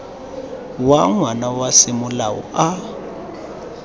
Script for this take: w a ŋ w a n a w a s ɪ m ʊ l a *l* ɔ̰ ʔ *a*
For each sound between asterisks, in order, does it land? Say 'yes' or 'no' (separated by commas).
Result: no, yes